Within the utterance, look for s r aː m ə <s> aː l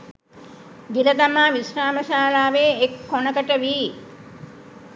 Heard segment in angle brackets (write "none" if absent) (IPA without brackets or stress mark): ʃ